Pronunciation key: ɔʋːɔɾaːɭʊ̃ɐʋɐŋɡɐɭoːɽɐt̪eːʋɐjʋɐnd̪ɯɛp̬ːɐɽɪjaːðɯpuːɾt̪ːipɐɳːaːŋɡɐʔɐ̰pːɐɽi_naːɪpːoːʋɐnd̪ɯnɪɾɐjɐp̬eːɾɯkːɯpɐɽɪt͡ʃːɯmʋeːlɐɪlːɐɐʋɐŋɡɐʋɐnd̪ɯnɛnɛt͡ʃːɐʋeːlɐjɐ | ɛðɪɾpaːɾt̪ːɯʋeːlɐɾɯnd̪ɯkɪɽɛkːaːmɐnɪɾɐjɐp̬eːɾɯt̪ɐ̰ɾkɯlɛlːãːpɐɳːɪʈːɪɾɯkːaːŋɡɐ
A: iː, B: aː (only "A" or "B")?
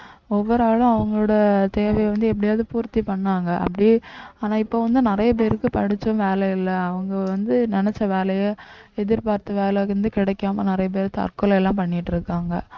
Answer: B